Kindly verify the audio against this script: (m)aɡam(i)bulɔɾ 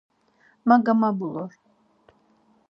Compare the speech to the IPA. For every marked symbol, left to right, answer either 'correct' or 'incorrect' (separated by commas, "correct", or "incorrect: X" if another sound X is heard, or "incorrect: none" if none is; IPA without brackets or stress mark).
correct, incorrect: a